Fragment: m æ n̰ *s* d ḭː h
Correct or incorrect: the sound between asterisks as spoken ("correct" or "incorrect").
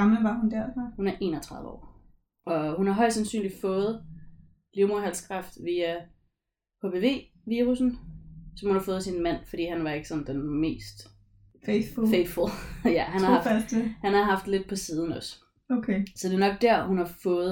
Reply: incorrect